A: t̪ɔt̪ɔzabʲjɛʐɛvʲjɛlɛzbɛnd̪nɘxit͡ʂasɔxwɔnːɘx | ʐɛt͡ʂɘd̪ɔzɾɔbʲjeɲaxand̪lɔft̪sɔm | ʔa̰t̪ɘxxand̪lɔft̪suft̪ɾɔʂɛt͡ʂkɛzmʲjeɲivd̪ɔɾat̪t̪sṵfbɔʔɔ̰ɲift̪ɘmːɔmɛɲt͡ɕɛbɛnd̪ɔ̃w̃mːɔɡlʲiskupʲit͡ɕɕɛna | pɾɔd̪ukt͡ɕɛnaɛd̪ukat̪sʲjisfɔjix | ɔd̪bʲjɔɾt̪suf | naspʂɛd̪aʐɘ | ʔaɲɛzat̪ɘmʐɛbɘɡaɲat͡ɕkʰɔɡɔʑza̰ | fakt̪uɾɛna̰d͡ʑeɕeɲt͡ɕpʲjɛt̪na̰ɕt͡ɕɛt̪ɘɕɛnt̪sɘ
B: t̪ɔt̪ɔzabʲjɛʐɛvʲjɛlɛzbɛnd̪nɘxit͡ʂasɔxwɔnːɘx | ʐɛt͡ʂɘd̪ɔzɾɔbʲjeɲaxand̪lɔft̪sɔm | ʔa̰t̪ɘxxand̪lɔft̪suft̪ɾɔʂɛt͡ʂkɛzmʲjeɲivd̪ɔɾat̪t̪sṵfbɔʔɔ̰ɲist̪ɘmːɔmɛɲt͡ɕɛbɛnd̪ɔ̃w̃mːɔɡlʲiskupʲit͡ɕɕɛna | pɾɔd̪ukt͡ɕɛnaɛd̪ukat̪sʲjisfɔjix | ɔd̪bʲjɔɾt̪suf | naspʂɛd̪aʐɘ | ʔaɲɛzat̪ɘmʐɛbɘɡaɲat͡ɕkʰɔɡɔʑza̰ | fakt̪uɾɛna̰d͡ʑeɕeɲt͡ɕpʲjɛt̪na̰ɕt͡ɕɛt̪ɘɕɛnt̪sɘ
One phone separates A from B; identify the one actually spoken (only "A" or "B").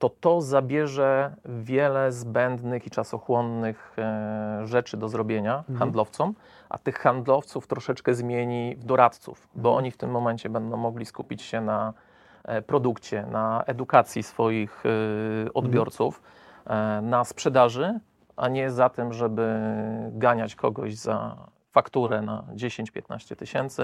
A